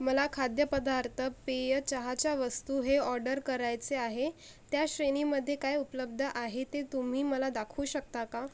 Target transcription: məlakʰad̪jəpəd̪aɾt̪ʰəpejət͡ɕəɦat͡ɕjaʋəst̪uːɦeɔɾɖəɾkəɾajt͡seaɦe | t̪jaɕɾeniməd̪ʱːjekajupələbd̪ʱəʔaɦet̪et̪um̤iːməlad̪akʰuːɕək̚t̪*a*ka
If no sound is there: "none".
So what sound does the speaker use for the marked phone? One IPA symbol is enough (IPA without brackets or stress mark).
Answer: a